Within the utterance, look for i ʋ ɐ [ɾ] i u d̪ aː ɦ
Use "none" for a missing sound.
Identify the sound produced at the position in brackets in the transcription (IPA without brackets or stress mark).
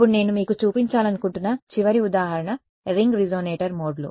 ɾ